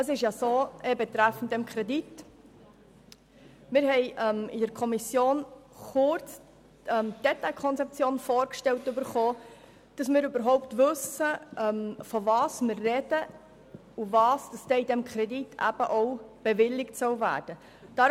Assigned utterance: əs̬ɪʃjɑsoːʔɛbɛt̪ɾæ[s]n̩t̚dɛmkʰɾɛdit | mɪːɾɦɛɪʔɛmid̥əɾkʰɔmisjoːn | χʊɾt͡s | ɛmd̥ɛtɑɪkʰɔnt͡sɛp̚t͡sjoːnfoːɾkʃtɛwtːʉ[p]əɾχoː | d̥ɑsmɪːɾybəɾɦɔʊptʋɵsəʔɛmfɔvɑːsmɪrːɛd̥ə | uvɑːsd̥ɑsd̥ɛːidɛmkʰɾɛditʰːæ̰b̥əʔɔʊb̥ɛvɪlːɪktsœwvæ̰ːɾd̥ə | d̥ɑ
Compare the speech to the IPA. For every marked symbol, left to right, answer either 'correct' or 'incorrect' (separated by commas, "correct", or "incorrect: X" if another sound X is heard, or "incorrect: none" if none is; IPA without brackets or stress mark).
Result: incorrect: f, incorrect: b